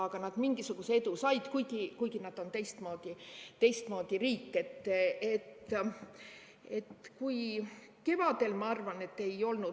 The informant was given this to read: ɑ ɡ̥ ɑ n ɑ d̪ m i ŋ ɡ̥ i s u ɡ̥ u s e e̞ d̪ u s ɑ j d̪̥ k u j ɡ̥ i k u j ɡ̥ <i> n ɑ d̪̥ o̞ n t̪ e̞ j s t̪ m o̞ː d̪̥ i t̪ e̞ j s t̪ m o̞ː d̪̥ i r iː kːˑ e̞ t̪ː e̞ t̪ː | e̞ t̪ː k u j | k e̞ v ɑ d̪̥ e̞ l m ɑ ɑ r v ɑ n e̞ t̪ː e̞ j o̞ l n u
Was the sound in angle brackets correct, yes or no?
yes